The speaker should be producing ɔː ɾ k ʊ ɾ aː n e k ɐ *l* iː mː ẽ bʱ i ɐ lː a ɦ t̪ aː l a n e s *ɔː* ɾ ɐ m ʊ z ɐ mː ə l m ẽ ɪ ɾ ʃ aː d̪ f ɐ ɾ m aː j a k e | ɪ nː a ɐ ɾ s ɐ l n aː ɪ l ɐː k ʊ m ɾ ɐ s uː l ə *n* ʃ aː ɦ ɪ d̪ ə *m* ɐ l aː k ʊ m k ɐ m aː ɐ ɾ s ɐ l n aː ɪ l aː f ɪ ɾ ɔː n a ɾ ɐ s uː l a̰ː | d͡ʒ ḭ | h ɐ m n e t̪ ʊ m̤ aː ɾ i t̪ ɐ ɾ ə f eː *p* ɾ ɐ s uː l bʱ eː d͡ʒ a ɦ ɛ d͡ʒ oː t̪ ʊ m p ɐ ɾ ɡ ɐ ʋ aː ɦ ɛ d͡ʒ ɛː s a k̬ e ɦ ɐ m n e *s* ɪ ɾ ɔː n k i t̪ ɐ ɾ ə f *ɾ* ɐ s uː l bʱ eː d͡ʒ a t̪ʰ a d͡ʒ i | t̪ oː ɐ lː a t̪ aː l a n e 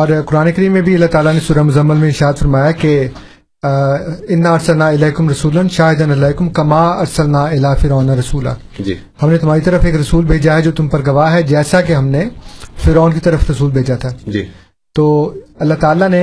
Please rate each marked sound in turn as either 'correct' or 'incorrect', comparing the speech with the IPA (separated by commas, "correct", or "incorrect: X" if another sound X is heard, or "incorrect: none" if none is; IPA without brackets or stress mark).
incorrect: ɾ, incorrect: uː, correct, incorrect: n, incorrect: k, incorrect: f, correct